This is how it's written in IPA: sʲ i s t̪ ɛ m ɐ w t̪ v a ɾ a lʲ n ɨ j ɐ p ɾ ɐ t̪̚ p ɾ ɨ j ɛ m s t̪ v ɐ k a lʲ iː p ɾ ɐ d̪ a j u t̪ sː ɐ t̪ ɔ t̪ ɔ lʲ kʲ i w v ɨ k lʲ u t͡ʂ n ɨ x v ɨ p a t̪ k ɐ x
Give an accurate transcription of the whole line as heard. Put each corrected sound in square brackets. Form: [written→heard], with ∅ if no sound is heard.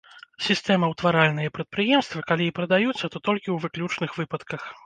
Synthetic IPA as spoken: sʲ i s t̪ ɛ m ɐ w t̪ v a ɾ a lʲ n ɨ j ɐ p ɾ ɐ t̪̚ p ɾ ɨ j ɛ m s t̪ v ɐ k a lʲ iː p ɾ ɐ d̪ a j u t̪ sː ɐ t̪ ɔ t̪ ɔ lʲ kʲ i w v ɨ k lʲ u t͡ʂ n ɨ x v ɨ p [a→ɐ] t̪ k ɐ x